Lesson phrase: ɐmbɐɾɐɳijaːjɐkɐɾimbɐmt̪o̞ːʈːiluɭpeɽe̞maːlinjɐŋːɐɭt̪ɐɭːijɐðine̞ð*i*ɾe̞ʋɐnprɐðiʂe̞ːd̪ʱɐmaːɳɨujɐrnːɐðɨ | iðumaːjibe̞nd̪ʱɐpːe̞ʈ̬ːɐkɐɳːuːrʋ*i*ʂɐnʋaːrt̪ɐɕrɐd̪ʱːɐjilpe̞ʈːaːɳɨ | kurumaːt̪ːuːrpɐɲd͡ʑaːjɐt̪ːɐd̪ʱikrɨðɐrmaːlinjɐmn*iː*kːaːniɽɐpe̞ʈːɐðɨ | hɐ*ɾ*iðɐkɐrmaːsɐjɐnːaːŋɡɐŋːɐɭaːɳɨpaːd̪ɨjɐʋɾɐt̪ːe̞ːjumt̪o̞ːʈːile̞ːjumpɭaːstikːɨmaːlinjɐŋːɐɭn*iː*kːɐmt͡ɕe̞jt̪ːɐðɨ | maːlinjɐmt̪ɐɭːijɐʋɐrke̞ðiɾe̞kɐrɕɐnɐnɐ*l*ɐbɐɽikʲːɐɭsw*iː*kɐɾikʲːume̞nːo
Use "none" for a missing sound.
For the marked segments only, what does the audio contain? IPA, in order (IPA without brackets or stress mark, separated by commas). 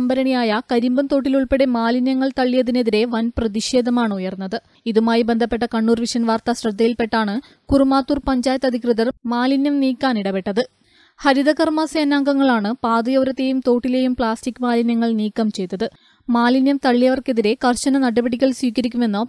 i, i, iː, ɾ, iː, ɽ, iː